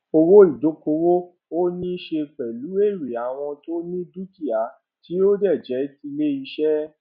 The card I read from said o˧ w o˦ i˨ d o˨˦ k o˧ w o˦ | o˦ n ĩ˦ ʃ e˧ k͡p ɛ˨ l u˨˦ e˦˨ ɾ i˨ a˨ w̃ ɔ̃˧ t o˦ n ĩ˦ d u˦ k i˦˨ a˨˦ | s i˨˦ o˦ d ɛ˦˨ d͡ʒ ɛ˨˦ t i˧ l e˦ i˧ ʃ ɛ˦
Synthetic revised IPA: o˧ w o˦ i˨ d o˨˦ k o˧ w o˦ | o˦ n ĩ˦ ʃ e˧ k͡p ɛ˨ l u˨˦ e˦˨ ɾ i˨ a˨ w̃ ɔ̃˧ t o˦ n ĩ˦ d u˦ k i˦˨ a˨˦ | t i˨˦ o˦ d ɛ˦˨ d͡ʒ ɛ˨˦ t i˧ l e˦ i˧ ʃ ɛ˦